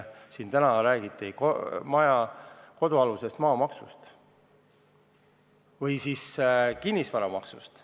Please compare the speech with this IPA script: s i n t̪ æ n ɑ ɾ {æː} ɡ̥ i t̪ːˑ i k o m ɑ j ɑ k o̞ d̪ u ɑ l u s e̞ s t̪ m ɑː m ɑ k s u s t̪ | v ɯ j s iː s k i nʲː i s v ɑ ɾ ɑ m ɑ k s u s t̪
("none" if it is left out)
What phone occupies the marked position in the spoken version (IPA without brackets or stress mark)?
æː